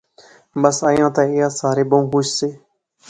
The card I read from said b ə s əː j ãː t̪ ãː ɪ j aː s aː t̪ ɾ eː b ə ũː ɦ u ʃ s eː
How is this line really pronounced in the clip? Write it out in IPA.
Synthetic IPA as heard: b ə s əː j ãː t̪ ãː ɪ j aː s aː ɾ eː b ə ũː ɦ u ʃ s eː